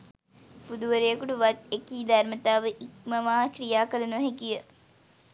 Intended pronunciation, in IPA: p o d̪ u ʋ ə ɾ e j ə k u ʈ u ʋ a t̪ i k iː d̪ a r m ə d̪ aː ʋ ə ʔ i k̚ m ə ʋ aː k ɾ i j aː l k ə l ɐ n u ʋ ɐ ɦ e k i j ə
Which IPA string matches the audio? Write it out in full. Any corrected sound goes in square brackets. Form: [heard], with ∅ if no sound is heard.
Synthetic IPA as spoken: p [u] d̪ u ʋ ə ɾ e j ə k u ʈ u ʋ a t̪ [e] k iː d̪ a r m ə [t̪] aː ʋ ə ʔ i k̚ m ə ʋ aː k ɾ i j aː [∅] k ə l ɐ n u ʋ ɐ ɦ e k i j ə